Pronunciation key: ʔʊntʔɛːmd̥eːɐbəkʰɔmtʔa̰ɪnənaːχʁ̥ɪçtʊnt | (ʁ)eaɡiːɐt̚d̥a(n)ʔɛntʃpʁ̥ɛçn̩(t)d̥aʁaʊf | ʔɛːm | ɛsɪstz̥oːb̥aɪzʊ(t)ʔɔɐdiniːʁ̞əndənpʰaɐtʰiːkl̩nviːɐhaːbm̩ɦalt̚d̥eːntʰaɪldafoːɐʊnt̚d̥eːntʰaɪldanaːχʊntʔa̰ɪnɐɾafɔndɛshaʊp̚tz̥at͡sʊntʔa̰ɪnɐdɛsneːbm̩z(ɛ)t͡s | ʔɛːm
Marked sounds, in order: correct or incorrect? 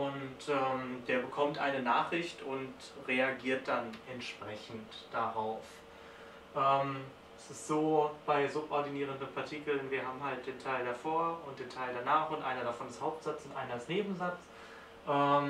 correct, correct, correct, incorrect: p, incorrect: a

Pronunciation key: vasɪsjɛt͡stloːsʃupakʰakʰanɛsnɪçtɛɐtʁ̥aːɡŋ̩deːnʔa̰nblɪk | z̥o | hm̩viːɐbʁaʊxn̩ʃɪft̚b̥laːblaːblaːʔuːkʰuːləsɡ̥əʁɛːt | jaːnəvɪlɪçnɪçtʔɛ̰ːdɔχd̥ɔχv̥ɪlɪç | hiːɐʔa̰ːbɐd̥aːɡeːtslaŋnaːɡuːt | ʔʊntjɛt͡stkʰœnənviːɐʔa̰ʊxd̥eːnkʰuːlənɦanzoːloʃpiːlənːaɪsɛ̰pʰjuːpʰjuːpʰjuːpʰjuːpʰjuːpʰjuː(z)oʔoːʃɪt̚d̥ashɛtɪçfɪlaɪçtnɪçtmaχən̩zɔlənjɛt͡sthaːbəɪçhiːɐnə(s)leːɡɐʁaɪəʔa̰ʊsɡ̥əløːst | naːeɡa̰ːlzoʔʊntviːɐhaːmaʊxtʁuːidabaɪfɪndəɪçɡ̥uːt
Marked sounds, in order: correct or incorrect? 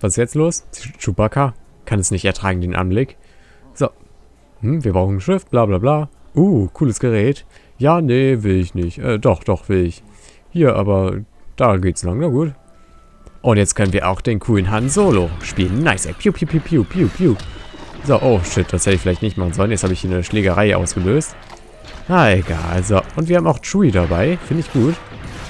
correct, incorrect: ʃ

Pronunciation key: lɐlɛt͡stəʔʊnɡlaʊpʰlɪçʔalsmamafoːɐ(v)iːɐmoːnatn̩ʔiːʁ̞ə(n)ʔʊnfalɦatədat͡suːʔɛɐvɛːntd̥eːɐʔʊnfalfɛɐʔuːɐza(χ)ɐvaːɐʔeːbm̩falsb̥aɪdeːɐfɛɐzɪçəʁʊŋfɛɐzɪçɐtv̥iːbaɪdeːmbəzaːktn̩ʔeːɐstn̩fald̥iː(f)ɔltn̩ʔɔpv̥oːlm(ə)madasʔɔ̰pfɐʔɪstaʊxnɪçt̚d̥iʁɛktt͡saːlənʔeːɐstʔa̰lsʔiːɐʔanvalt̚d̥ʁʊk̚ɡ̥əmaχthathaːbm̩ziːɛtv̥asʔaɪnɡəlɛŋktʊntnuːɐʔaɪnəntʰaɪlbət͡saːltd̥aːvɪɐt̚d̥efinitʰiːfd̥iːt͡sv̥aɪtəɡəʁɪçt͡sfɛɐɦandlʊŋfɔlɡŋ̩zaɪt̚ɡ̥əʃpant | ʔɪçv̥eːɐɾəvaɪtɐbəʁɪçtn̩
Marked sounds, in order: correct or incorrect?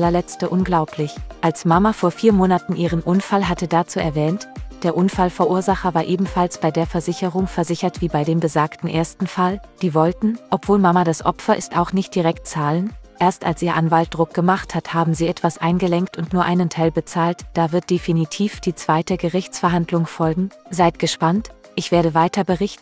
incorrect: f, correct, correct, incorrect: v, incorrect: a

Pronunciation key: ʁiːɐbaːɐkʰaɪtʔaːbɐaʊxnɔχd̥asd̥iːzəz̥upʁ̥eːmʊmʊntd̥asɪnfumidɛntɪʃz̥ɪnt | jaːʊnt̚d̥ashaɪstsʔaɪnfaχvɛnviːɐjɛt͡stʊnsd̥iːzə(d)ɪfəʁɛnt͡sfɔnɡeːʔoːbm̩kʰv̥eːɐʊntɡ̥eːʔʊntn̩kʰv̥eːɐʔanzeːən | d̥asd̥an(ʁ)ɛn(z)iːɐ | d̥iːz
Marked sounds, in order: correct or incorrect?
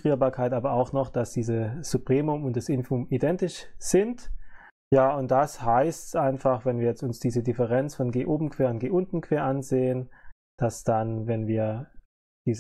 correct, incorrect: v, incorrect: v

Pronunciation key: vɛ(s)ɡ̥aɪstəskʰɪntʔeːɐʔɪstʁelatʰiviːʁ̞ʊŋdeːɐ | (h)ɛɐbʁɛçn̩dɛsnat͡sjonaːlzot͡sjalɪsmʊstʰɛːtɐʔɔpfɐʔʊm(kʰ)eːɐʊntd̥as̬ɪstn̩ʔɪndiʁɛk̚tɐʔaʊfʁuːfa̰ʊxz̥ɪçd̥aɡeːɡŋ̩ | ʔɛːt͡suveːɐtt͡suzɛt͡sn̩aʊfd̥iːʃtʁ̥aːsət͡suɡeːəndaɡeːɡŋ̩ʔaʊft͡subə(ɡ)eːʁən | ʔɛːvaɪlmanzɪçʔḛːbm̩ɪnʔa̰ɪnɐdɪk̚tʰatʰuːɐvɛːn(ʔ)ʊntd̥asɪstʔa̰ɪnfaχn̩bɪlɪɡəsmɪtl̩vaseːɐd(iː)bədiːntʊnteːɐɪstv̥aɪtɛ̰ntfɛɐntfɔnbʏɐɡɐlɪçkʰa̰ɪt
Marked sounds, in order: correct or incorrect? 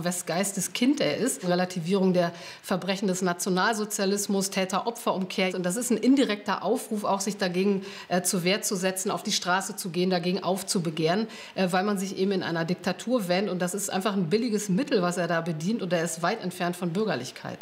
correct, incorrect: f, correct, correct, incorrect: t, incorrect: aː

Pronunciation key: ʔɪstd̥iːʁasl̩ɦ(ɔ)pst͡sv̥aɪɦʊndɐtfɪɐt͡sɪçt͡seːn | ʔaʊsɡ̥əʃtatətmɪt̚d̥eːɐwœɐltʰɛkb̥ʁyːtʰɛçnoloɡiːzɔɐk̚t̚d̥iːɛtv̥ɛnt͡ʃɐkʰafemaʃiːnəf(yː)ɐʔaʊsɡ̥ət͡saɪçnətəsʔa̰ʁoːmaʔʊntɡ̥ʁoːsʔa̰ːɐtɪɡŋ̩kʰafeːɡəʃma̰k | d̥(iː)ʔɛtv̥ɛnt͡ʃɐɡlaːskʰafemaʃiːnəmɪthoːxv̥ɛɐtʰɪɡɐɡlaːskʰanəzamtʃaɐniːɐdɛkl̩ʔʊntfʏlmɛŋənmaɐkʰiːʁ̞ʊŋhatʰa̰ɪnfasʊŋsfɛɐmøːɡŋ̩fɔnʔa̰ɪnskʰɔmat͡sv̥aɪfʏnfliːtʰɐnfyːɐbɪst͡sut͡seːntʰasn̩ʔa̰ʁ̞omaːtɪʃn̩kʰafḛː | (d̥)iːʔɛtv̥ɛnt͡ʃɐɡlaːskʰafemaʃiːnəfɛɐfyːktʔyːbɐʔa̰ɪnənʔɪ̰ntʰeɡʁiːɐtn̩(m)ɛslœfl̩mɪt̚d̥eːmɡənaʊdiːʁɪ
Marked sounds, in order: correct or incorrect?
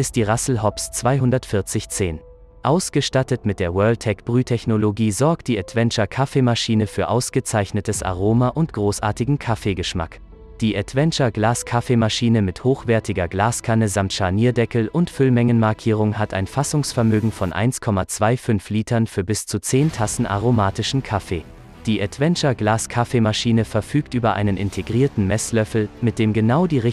correct, correct, correct, correct, correct

